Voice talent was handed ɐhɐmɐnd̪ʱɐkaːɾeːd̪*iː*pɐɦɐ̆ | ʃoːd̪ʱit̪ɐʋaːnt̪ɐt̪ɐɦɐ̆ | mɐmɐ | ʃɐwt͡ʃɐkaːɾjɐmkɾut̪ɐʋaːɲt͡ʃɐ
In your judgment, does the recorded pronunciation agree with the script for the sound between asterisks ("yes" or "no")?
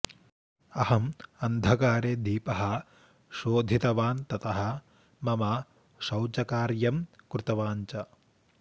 yes